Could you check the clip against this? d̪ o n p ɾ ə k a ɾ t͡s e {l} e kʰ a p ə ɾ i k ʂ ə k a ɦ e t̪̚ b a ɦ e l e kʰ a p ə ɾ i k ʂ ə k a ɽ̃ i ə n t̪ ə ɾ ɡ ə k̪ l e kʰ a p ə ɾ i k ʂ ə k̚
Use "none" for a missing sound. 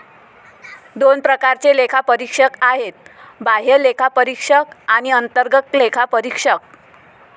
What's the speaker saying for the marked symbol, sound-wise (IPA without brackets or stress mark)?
l